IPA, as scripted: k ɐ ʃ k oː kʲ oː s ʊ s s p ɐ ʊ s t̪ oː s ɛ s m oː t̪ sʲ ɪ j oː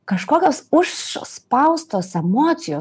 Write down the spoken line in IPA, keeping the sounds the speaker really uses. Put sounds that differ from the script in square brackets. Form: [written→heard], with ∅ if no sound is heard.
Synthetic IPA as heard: k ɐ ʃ k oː kʲ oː s ʊ [s→ʃ] s p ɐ ʊ s t̪ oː s ɛ [s→∅] m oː t̪ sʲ ɪ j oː